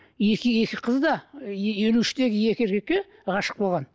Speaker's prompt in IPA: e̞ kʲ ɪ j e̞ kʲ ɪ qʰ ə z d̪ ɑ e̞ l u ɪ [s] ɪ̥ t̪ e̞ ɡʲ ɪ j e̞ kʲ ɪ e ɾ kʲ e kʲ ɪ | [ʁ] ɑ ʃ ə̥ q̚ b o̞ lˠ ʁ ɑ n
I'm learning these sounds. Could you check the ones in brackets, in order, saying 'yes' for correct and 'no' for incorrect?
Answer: no, yes

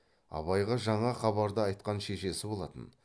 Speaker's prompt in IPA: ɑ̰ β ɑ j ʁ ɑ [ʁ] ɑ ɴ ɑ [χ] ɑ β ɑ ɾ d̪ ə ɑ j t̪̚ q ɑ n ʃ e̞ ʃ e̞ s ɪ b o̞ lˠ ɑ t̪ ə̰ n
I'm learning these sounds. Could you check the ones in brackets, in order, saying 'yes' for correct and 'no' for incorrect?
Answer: no, yes

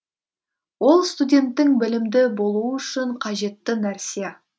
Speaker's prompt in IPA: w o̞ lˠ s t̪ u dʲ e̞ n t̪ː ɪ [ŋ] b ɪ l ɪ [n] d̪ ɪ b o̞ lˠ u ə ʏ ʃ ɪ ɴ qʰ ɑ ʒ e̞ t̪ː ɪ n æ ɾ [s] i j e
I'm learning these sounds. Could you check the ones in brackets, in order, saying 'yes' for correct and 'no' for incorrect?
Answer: yes, no, yes

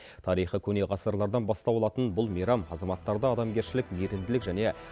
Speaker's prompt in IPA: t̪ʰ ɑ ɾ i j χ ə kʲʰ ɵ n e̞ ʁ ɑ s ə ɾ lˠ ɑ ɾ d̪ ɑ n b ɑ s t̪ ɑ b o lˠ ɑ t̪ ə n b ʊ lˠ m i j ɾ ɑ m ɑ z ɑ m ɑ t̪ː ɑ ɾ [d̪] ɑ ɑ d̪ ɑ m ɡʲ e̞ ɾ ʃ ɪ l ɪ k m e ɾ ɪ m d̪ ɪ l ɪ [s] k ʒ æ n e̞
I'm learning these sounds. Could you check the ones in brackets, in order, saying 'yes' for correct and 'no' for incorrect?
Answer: yes, no

